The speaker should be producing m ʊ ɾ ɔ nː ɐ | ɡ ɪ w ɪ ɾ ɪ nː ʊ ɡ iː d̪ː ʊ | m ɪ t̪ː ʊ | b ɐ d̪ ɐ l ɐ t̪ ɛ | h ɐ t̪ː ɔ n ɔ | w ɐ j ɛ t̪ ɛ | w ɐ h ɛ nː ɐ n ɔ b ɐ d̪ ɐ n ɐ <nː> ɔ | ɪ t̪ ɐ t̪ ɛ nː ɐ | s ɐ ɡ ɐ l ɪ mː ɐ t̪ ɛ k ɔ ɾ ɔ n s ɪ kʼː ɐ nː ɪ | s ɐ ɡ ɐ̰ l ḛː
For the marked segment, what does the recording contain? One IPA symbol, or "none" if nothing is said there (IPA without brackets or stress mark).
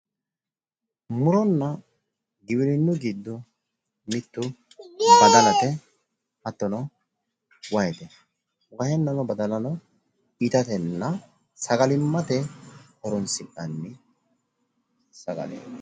n